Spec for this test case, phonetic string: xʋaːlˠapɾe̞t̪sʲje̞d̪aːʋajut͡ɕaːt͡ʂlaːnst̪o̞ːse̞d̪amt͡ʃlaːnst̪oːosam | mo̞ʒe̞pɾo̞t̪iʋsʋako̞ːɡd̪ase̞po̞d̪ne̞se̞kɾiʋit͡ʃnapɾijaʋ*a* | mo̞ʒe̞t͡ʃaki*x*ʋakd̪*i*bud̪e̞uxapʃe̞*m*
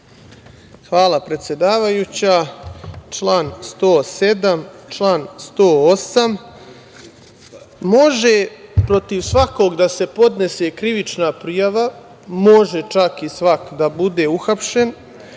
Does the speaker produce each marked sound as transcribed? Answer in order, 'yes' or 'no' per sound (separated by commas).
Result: yes, no, no, no